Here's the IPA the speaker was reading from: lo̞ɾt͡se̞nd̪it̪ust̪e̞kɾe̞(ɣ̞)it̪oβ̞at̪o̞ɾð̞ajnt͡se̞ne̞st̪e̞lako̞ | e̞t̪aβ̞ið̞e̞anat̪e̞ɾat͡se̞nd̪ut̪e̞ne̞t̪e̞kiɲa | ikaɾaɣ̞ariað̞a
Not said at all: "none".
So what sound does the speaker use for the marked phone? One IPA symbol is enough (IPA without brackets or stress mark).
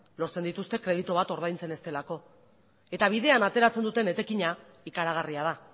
ð̞